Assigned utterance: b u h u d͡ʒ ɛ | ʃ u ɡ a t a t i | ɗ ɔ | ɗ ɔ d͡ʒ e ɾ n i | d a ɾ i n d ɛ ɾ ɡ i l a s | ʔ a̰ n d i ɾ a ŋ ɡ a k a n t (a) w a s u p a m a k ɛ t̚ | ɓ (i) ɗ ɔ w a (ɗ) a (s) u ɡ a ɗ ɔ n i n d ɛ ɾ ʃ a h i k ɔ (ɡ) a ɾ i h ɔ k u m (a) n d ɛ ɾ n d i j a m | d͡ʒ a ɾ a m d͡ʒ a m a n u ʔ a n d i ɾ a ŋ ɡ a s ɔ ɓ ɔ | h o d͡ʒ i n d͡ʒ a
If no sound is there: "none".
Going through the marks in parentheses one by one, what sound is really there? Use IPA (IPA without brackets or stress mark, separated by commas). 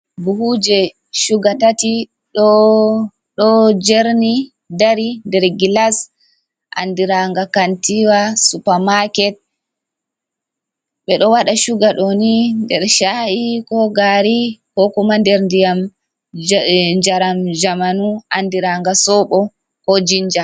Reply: i, ɛ, ɗ, ʃ, ɡ, a